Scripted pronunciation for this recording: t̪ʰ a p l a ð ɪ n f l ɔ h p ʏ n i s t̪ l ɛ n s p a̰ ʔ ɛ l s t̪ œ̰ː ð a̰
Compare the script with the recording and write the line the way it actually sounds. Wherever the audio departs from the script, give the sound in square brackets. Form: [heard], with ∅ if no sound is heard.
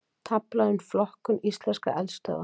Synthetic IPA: t̪ʰ a p l a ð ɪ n f l ɔ h [k] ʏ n i s t̪ l ɛ n s [k] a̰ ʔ ɛ l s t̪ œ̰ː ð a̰

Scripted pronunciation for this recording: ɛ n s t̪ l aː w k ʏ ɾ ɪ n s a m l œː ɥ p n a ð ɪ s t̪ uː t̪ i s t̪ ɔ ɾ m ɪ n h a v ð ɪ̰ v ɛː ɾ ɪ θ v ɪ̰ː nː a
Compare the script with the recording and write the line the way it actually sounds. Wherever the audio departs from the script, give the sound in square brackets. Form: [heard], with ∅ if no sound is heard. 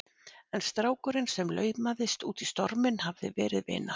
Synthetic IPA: ɛ n s t̪ [ɾ] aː w k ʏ ɾ ɪ n s [ɛ] m l œː ɥ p [m] a ð ɪ s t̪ uː t̪ i s t̪ ɔ ɾ m ɪ n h a v ð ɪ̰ v ɛː ɾ ɪ [ð] v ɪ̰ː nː a

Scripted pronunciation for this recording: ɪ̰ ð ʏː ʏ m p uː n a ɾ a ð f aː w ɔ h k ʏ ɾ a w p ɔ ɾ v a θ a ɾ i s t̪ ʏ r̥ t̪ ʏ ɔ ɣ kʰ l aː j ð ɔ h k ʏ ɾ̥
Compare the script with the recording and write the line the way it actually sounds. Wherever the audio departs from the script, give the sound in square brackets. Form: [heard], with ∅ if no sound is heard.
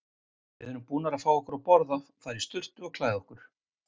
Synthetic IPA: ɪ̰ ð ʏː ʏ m p uː n a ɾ a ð f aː w ɔ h k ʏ ɾ a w p ɔ ɾ [ð] a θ a ɾ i s t̪ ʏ r̥ t̪ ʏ ɔ ɣ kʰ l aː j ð ɔ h k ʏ ɾ̥

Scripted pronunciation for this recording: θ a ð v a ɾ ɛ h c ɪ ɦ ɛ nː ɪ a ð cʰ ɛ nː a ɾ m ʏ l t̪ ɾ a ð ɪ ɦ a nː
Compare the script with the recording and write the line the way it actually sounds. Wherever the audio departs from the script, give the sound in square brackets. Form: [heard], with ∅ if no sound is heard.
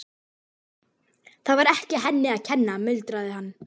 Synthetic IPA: θ a ð v a ɾ ɛ h c ɪ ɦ ɛ nː ɪ a ð cʰ ɛ nː a [∅] m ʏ l t̪ ɾ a ð ɪ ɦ a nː

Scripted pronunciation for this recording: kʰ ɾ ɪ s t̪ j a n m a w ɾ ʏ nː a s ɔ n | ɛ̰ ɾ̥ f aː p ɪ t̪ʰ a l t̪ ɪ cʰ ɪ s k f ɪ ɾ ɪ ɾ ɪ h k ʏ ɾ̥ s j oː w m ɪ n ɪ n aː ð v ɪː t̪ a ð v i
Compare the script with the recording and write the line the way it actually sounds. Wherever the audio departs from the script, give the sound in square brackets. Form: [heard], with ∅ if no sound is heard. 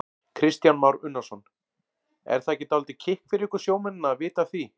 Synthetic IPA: kʰ ɾ ɪ s t̪ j a n m a w ɾ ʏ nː a s ɔ n | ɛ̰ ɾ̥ [θ] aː [c] ɪ [t̪] a l t̪ ɪ cʰ ɪ [h] k f ɪ ɾ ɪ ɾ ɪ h k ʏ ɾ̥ s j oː w m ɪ n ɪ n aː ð v ɪː t̪ a [θ] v i

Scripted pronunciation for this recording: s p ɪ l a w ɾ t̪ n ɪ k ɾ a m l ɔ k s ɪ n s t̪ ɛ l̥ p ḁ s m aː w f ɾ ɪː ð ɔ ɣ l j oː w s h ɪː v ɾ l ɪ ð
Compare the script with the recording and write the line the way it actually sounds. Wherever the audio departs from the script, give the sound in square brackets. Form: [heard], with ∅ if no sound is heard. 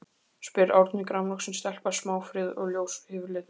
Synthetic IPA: s p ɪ [ɾ] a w ɾ t̪ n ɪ k ɾ a m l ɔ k s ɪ n s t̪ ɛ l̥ p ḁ s m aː w f ɾ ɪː ð ɔ ɣ l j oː w s h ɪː v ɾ l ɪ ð

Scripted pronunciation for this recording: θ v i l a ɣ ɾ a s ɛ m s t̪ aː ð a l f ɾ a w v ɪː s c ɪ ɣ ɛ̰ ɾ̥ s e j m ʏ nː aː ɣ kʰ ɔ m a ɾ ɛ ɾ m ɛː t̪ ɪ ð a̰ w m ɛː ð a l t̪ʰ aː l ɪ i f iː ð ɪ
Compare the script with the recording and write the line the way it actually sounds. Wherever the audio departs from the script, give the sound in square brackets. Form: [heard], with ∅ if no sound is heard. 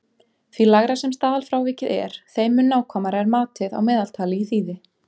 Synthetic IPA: θ v i l a ɣ ɾ a s ɛ m s t̪ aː ð a l f ɾ a w v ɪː [∅] c ɪ [ð] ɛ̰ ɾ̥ [θ] e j m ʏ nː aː [w] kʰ ɔ m a ɾ ɛ ɾ m [aː] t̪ ɪ ð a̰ w m ɛː ð a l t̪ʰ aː l ɪ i [θ] iː ð ɪ

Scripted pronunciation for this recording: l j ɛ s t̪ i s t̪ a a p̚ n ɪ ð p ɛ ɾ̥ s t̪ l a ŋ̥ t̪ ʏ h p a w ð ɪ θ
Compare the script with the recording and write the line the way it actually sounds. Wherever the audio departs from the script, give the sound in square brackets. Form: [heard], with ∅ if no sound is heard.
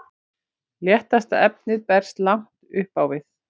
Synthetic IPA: l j ɛ [h] t̪ [a] s t̪ a [ɛ] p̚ n ɪ ð p ɛ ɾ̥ s t̪ l a ŋ̥ t̪ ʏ h p a w [v] ɪ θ

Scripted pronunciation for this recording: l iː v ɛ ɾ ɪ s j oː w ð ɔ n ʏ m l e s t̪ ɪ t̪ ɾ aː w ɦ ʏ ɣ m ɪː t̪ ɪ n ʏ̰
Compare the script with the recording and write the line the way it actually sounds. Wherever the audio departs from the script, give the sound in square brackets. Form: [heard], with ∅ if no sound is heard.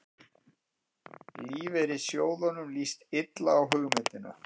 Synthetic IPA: l iː v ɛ ɾ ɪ s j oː w ð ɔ n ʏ m l [i] s t̪ ɪ t̪ [l] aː w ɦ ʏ ɣ m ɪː t̪ ɪ n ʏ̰

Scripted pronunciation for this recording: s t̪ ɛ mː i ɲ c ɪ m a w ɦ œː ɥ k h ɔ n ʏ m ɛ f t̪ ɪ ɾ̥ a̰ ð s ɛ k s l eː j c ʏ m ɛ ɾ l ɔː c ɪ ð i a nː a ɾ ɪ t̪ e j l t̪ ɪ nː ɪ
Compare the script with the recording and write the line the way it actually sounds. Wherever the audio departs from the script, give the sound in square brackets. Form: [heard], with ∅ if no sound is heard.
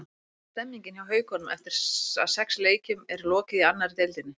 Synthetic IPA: s t̪ ɛ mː i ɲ c ɪ [n] a w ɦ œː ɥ k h ɔ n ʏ m ɛ f t̪ ɪ ɾ̥ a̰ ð s ɛ k s l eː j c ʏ m ɛ ɾ l ɔː c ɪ ð i a nː a ɾ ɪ t̪ e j l t̪ ɪ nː ɪ

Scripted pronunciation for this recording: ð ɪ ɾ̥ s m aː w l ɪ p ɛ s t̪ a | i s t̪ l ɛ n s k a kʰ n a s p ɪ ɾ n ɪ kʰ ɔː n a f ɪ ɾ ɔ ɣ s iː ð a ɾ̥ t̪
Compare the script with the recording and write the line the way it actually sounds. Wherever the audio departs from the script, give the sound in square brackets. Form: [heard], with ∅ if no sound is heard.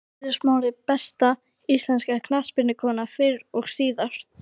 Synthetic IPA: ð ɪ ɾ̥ s m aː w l ɪ p ɛ s t̪ a | i s t̪ l ɛ n s k a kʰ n a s p ɪ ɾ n ɪ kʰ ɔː n a f ɪ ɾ ɔ ɣ s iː ð a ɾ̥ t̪

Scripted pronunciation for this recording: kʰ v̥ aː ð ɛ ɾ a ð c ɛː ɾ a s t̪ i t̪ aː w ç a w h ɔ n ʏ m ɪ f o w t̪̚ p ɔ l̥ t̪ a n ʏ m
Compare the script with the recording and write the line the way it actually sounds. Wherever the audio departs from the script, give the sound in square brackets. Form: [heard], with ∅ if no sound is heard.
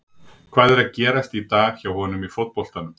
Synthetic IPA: kʰ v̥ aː ð ɛ ɾ a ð c ɛː ɾ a s t̪ i t̪ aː [ɣ] ç a w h ɔ n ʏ m [i] f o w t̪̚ p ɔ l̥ t̪ a n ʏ m

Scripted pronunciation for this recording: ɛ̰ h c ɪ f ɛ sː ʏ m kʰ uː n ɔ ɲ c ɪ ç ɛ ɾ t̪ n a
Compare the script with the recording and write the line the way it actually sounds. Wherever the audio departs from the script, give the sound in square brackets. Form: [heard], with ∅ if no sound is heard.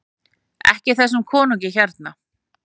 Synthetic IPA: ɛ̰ h c ɪ [θ] ɛ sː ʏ m kʰ [ɔː] n [u] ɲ c ɪ ç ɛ ɾ t̪ n a

